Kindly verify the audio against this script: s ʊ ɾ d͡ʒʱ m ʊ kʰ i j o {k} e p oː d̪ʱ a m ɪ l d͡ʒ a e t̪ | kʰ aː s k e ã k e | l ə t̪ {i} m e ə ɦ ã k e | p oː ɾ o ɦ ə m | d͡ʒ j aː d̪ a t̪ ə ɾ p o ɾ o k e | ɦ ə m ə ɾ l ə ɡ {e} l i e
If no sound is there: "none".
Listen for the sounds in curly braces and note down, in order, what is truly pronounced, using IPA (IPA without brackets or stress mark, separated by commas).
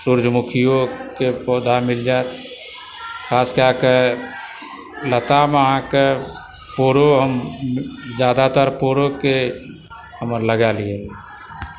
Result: k, a, a